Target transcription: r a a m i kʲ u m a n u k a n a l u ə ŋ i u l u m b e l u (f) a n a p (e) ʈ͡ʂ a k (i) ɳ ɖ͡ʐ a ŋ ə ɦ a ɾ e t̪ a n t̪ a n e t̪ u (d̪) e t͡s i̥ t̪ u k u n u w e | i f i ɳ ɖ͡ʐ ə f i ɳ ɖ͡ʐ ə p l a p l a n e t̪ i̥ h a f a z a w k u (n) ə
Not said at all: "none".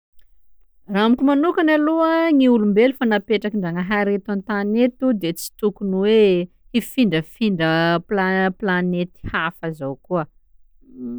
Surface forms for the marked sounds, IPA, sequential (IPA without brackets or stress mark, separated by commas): f, e, i, d̪, none